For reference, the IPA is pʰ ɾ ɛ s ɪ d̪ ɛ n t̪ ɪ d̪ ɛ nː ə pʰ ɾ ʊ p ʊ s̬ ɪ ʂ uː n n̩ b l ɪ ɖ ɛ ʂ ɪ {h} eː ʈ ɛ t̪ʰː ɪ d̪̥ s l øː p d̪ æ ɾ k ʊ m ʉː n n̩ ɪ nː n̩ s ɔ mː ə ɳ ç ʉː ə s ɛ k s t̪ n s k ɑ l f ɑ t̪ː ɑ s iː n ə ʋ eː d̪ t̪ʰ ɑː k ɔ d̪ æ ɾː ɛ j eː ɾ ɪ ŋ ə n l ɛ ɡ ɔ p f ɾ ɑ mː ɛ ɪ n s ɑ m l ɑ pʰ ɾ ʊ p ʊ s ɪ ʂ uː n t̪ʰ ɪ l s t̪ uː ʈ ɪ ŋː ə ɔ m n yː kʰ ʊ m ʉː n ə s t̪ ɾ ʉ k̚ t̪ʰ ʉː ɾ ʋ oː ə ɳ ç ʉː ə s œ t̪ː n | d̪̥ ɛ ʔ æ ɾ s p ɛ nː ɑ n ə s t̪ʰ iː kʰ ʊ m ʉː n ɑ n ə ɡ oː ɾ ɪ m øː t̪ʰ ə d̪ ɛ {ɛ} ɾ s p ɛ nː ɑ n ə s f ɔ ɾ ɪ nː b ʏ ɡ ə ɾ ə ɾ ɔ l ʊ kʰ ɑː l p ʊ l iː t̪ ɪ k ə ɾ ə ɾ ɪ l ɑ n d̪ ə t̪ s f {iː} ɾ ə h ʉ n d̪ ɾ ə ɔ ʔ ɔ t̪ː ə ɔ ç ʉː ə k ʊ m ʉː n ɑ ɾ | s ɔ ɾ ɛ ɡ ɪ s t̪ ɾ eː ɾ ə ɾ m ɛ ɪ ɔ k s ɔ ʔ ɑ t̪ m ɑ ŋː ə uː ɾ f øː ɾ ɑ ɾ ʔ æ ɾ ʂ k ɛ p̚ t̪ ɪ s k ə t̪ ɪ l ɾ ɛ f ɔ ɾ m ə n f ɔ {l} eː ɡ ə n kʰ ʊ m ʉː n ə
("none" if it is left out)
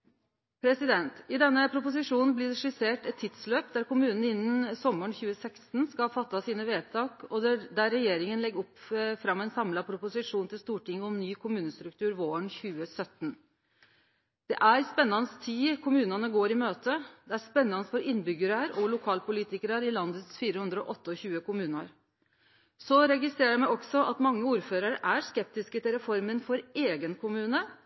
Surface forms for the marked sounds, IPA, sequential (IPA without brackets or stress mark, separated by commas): s, æ, iː, ɾ